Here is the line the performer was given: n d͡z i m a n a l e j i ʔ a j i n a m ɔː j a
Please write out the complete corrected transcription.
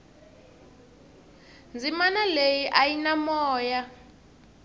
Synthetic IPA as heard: n d͡z i m a n a l e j i ʔ a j i n a m ɔː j a